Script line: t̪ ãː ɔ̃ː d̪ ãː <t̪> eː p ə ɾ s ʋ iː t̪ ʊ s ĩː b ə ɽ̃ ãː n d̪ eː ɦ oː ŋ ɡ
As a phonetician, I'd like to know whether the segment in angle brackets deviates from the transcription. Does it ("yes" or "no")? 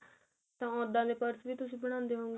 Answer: yes